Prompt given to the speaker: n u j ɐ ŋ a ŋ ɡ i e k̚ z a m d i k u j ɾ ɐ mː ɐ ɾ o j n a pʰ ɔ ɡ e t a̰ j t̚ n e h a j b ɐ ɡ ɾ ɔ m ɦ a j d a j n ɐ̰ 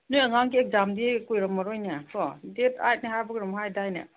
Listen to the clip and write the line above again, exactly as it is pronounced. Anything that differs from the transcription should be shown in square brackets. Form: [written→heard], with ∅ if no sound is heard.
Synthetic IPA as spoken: n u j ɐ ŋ a ŋ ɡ i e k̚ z a m d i k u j ɾ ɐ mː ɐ ɾ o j n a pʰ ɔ [ɡ→d] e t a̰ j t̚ n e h a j b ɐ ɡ ɾ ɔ m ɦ a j d a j n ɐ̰